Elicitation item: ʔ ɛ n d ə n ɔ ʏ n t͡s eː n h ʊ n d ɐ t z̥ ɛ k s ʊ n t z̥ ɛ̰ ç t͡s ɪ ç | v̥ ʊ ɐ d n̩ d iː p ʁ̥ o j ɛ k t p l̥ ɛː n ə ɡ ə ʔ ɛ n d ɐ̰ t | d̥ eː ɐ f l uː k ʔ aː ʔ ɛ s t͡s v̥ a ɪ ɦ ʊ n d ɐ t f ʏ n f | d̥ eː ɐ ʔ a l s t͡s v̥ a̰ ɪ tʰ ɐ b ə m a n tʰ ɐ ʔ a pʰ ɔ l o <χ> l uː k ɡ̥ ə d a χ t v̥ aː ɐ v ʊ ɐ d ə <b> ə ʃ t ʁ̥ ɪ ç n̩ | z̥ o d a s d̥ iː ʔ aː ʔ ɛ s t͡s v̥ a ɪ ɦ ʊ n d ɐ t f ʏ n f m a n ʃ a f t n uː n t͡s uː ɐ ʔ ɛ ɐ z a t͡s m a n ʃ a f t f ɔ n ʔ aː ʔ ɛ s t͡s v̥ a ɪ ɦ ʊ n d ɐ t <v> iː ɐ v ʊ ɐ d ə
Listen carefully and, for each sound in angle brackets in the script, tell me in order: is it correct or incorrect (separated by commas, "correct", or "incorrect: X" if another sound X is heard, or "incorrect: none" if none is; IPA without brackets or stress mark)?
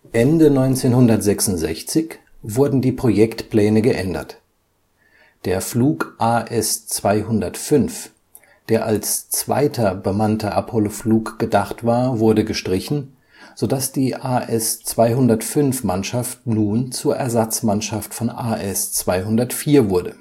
incorrect: f, incorrect: ɡ, incorrect: f